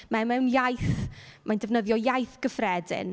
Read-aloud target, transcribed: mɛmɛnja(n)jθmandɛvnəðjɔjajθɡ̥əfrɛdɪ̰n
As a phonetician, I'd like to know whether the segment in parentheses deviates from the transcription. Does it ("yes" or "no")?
yes